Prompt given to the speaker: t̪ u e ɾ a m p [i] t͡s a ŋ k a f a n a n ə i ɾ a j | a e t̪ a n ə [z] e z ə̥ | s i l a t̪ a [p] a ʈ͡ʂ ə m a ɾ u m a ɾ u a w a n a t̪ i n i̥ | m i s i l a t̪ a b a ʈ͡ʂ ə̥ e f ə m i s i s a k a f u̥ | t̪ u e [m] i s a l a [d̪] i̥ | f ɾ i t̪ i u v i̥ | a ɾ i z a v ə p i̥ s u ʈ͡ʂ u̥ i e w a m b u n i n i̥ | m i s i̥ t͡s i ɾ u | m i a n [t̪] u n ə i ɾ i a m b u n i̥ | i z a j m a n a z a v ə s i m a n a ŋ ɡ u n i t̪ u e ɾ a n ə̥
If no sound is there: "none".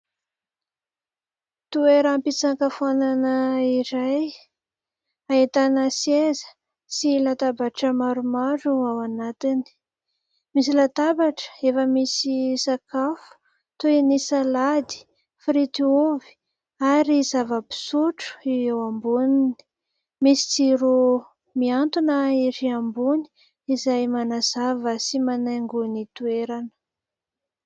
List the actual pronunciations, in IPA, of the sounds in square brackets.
i, s, b, n, d̪, t̪

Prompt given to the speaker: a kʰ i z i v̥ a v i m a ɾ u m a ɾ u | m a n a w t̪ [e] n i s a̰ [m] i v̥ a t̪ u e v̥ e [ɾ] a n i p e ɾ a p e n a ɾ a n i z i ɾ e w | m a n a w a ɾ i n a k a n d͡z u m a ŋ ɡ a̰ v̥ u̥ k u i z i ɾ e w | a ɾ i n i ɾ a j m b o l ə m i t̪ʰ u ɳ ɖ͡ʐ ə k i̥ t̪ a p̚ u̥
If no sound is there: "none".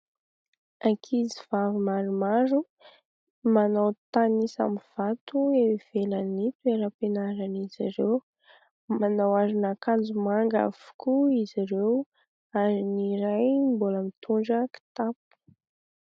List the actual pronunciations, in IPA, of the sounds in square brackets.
a, m, l

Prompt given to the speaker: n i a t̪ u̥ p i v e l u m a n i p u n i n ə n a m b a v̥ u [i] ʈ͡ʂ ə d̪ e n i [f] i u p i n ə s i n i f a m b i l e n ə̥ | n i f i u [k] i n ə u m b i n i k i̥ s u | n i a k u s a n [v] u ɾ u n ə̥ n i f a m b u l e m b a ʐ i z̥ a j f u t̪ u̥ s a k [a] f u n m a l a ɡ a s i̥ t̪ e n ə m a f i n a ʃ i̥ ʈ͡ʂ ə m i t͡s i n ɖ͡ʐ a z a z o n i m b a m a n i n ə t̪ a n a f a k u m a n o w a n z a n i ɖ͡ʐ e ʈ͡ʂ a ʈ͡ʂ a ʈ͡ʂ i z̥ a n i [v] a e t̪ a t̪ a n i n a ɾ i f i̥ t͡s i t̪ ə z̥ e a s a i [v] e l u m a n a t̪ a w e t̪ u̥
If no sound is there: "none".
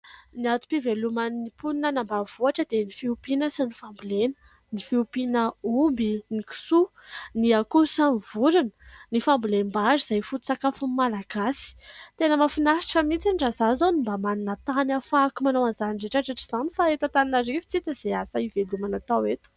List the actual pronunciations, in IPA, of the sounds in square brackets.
a, f, p, v, a, f, v

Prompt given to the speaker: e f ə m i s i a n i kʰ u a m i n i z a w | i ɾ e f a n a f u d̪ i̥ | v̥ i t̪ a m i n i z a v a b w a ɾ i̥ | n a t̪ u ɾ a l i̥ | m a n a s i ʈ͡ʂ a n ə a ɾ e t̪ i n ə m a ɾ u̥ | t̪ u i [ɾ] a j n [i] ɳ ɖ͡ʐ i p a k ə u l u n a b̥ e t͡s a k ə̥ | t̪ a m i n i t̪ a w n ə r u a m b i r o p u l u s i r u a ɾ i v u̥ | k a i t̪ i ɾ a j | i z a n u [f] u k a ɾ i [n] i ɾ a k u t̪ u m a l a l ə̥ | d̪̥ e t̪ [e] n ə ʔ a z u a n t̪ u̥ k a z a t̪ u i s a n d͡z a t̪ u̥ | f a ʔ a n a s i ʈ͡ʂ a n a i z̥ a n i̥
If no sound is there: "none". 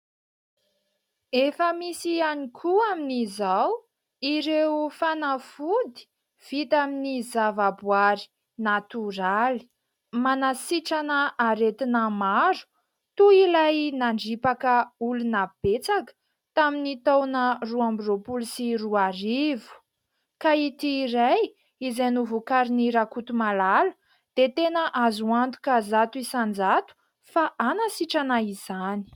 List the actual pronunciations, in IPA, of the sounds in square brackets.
l, a, v, n, e

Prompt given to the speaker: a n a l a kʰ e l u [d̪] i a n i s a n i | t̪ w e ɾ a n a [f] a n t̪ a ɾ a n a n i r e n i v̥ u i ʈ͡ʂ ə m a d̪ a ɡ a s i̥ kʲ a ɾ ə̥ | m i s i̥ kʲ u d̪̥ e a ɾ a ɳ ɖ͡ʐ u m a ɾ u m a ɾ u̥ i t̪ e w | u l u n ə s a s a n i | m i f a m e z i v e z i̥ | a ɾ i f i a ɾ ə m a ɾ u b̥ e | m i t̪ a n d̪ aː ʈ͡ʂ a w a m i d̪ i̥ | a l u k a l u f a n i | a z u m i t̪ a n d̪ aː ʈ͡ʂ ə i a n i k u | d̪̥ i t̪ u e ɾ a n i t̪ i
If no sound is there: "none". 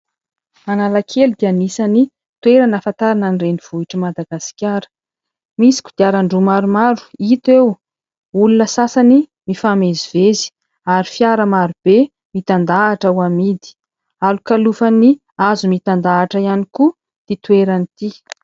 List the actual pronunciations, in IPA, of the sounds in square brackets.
d̪, f

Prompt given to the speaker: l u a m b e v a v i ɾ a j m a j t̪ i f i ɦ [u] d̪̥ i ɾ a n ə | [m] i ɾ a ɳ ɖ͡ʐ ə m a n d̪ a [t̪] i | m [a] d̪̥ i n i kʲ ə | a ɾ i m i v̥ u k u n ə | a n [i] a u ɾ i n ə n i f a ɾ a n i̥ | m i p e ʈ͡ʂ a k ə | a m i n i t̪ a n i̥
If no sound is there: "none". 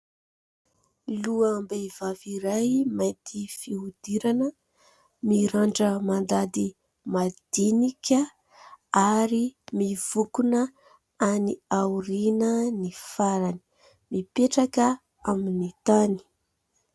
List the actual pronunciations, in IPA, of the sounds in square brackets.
u, m, d̪, a, i

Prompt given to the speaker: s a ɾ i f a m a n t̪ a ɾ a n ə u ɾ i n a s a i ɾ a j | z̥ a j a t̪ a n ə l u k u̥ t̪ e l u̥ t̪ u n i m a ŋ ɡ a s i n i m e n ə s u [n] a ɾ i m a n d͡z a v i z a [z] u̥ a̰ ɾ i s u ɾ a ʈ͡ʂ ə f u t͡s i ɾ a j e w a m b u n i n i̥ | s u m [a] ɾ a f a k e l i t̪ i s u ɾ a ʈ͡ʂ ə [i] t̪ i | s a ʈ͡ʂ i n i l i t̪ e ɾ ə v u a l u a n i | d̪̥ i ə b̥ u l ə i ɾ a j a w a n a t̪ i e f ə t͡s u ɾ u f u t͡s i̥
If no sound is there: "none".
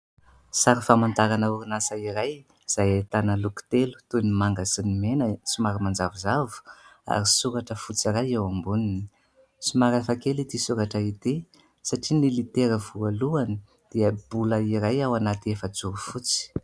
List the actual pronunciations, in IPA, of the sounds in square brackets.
m, v, a, i

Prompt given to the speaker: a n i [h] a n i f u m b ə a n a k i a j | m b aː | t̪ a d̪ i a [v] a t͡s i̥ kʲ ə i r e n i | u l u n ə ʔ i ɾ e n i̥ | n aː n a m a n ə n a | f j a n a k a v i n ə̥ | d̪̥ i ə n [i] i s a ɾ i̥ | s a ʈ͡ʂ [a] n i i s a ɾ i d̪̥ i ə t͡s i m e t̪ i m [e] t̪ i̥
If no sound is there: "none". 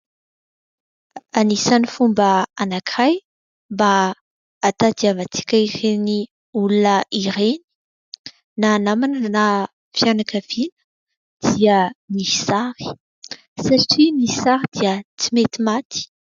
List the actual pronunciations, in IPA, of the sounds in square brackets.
s, v, i, i, a

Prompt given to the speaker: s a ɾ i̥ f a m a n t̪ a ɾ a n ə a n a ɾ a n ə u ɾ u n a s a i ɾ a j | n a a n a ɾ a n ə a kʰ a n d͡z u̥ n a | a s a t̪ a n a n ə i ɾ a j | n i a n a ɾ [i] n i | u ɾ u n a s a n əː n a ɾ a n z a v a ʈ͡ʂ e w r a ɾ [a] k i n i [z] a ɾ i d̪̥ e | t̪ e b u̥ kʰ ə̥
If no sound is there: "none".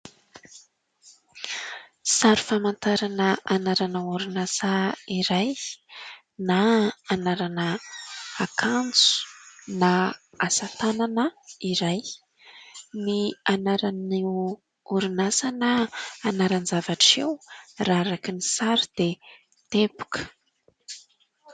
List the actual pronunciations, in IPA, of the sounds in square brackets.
a, a, s

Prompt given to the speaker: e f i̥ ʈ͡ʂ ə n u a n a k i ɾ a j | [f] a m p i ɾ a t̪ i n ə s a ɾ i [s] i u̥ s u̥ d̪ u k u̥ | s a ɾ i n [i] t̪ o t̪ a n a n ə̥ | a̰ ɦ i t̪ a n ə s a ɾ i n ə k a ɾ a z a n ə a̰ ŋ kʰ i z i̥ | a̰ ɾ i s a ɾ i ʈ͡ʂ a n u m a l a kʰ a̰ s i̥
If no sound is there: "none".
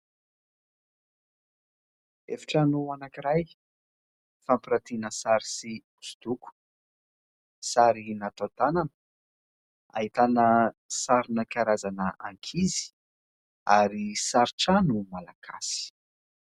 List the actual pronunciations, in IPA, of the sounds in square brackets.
f, s, a

